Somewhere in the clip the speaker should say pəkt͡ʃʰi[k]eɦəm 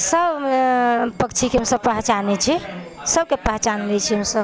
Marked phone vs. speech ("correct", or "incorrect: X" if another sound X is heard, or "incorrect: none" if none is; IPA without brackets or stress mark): correct